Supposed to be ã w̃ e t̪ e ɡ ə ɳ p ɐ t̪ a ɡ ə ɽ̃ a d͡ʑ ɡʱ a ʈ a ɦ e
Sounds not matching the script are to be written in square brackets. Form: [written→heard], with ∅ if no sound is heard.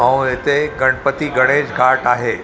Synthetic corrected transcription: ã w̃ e t̪ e ɡ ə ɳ p [ɐ→ə] t̪ [a→i] ɡ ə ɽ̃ [a→e] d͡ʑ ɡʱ a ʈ a ɦ e